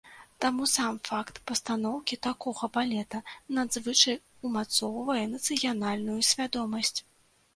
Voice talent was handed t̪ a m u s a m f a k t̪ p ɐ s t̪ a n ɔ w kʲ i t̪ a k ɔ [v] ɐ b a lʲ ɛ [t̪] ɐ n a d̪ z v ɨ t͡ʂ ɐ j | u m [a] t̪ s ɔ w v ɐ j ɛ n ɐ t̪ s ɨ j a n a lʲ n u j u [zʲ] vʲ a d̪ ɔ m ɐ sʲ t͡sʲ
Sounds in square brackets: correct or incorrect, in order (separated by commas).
incorrect, correct, correct, incorrect